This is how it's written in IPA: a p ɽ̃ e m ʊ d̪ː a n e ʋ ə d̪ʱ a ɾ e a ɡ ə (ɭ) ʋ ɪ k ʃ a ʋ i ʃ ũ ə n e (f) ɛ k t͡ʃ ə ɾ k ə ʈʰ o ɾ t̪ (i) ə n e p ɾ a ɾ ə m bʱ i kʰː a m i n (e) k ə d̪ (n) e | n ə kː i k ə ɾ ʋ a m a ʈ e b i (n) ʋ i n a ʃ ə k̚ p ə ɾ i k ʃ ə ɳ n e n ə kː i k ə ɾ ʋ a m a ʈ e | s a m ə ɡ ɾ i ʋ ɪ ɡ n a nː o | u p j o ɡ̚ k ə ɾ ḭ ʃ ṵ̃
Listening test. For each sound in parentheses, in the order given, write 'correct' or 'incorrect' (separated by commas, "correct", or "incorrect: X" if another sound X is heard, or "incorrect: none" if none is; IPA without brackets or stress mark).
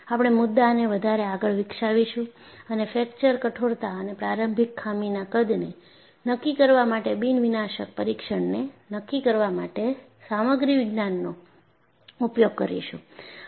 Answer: correct, correct, incorrect: a, incorrect: a, correct, correct